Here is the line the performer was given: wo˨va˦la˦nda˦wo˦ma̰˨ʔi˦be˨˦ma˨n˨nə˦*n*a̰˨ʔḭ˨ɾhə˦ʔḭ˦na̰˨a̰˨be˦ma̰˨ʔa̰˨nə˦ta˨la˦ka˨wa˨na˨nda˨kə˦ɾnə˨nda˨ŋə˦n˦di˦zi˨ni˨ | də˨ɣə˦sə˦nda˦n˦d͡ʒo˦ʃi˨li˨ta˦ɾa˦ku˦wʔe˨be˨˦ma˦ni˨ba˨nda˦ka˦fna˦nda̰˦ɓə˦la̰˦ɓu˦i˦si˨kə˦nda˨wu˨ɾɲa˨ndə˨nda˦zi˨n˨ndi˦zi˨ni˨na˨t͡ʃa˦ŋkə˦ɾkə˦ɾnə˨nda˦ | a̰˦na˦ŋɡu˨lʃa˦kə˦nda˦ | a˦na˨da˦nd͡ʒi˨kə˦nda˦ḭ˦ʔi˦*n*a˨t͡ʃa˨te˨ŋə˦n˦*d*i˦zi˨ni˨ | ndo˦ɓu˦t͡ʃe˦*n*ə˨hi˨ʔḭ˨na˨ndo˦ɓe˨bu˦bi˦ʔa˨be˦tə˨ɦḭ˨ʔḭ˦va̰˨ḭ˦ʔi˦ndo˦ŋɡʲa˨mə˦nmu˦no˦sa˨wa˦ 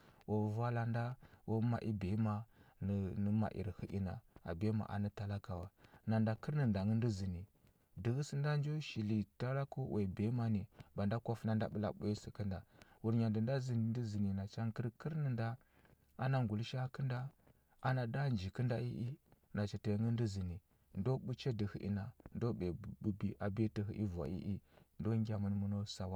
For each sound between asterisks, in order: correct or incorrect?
incorrect: m, correct, correct, incorrect: d

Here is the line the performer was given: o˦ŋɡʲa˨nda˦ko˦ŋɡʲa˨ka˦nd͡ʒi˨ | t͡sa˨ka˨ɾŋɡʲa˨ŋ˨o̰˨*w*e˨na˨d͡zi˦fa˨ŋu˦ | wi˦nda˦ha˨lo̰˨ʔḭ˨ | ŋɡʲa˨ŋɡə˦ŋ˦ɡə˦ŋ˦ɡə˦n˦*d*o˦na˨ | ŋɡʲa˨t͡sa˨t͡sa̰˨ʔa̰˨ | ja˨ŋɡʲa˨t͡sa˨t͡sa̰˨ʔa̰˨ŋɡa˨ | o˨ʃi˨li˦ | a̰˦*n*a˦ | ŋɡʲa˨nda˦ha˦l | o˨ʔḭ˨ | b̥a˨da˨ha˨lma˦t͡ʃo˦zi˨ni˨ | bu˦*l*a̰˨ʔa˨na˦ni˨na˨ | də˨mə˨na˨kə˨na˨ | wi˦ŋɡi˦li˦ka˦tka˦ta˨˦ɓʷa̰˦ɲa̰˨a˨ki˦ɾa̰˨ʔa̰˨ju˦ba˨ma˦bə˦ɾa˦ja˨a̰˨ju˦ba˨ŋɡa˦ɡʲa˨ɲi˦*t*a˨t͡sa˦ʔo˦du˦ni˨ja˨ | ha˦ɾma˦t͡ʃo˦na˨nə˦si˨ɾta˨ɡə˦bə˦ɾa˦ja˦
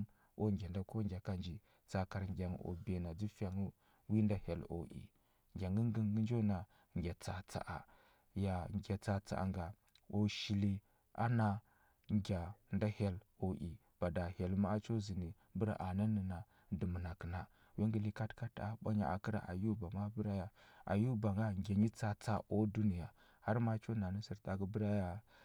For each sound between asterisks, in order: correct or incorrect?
incorrect: b, incorrect: d͡ʒ, correct, incorrect: ɾ, incorrect: t͡s

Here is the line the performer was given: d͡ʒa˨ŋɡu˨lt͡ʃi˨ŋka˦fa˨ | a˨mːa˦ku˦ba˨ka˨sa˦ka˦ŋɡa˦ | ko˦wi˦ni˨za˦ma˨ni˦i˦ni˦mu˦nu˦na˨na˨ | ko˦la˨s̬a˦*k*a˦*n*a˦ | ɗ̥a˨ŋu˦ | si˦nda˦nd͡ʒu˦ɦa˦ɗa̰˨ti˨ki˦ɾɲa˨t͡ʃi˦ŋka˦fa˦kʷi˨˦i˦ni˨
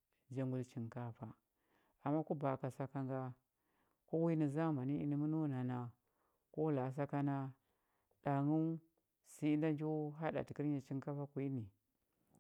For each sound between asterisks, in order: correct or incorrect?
correct, correct

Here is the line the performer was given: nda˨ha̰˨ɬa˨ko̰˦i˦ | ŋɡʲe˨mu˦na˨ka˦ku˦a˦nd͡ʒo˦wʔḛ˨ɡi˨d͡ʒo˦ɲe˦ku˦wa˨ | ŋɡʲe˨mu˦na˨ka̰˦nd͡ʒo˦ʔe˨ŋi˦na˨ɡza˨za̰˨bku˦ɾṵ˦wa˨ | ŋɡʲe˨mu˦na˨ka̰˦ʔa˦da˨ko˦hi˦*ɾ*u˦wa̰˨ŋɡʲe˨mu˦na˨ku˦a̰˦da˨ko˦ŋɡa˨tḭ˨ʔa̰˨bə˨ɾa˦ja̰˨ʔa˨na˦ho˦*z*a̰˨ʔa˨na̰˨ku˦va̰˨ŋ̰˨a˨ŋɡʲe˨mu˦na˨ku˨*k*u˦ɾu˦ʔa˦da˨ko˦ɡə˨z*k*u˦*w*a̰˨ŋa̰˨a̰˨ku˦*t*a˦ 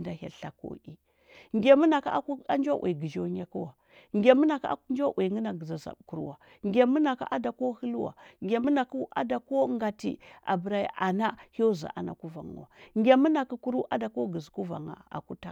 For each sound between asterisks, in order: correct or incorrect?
incorrect: l, correct, correct, correct, incorrect: v, correct

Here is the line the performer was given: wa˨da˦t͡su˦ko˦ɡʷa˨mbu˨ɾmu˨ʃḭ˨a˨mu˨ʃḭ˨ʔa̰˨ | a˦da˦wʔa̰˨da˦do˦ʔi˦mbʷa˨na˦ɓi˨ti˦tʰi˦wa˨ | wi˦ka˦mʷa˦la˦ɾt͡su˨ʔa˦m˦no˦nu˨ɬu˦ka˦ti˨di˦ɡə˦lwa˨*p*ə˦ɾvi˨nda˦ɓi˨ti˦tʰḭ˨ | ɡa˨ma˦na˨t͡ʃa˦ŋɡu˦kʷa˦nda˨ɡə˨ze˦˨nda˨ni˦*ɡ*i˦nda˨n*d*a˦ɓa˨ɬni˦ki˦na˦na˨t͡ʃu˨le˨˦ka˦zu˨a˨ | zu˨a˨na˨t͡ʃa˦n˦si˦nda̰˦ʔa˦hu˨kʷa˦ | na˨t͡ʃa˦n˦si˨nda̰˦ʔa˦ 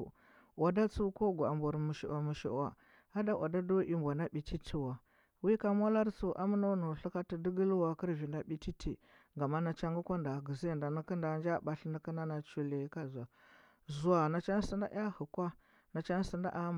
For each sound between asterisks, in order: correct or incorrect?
incorrect: k, incorrect: k, incorrect: d͡ʒ

